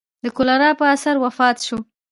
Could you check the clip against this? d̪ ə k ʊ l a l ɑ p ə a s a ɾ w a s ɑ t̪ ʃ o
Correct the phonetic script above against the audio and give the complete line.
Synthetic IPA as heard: d̪ ə k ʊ l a ɾ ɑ p ə a s a ɾ w a f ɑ t̪ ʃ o

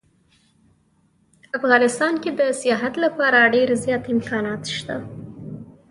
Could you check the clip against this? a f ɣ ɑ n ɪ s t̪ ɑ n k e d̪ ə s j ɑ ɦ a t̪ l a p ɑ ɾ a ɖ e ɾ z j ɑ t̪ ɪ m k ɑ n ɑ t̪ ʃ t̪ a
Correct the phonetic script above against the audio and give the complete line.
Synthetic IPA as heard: a f ɣ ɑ n ɪ s t̪ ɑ n k e d̪ ə s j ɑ ɦ a t̪ l a p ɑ ɾ a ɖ e ɾ z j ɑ t̪ ɪ m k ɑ n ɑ t̪ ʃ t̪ a

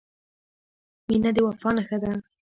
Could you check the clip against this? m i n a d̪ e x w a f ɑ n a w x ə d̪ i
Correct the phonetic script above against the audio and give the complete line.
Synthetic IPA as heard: m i n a d̪ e w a f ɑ n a x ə d̪ a

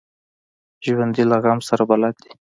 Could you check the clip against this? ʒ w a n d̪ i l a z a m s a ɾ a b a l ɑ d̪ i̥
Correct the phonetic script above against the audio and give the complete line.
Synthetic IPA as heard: ʒ w a n d̪ i l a ɣ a m s a ɾ a b a l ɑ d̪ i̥

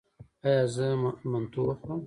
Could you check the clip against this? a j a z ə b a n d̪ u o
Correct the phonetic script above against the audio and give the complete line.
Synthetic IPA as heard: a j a z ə m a n t̪ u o

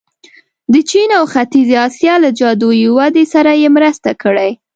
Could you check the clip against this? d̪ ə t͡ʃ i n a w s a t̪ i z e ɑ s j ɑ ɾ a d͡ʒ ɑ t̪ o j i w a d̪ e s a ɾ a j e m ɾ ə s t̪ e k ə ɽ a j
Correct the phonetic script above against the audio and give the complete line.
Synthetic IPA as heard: d̪ ə t͡ʃ i n a w x a t̪ i z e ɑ s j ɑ l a d͡ʒ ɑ d̪ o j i w a d̪ e s a ɾ a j e m ɾ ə s t̪ a k ə ɽ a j

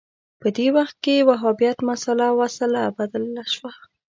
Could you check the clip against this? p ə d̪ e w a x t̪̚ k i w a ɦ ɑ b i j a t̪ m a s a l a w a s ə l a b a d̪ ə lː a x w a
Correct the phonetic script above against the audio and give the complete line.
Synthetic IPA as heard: p ə d̪ e w a x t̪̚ k e w a ɦ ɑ b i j a t̪ m a s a l a w a s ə l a b a d̪ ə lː a ʃ w a

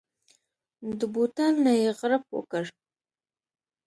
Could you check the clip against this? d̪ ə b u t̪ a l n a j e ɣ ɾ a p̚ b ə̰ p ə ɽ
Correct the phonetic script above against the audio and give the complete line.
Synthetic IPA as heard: d̪ ə b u t̪ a l n a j e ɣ ɾ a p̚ w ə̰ k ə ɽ

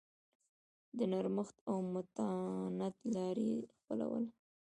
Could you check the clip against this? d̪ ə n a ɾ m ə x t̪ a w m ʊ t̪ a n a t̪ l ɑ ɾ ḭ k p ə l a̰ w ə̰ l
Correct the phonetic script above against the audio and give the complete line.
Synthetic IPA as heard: d̪ ə n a ɾ m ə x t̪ a w m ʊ t̪ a n a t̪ l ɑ ɾ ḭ x p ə l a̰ w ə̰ l

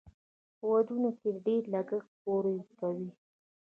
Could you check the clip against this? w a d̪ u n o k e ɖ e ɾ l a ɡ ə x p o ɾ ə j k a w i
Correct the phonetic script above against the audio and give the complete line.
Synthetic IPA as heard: w a d̪ u n o k e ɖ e ɾ l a ɡ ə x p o ɾ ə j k a w i

